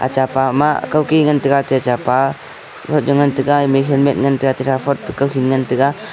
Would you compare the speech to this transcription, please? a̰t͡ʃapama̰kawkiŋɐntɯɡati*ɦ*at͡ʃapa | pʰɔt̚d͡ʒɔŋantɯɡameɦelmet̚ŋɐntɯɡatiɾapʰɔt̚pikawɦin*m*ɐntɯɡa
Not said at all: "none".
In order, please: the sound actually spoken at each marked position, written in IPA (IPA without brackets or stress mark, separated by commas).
none, ŋ